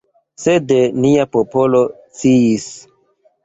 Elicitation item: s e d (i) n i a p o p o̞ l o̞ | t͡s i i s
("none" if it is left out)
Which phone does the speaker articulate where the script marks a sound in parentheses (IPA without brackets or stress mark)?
e